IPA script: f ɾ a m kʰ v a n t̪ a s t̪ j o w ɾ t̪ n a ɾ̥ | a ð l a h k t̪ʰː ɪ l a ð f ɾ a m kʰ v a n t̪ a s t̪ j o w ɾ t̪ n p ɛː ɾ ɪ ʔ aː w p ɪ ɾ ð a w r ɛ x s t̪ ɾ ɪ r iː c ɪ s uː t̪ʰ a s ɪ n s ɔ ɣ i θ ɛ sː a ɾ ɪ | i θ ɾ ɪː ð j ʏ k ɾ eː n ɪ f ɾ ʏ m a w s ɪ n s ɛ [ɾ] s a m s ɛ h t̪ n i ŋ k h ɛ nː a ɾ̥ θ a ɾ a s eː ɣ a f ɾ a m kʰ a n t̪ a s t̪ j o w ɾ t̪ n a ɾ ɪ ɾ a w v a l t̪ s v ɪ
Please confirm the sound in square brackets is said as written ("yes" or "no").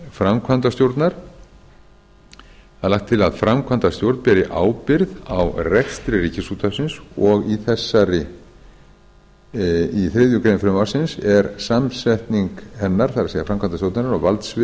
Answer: yes